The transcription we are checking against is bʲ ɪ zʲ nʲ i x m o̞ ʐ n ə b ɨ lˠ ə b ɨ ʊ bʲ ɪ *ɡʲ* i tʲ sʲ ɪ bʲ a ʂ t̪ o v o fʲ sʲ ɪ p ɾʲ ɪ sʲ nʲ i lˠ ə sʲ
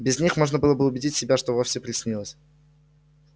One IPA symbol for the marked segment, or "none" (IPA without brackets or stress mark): dʲ